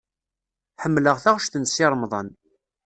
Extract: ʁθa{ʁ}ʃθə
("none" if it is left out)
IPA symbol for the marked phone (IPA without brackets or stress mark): ʁ